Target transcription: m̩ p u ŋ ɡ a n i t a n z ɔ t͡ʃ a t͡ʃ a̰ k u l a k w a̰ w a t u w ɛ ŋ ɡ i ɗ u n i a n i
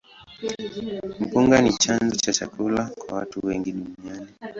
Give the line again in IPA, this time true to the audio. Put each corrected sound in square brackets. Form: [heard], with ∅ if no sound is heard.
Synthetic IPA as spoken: m̩ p u ŋ ɡ a n i [t͡ʃ] a n z ɔ t͡ʃ a t͡ʃ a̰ k u l a k w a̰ w a t u w ɛ ŋ ɡ i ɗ u n i a n i